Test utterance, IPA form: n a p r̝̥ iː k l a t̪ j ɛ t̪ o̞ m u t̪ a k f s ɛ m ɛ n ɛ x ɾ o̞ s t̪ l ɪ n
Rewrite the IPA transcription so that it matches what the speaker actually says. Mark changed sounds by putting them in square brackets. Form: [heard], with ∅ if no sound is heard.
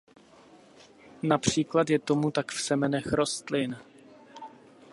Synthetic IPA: n a p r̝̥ iː k l a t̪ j ɛ t̪ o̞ m u t̪ a k f s ɛ m ɛ n ɛ x ɾ o̞ s t̪ l ɪ n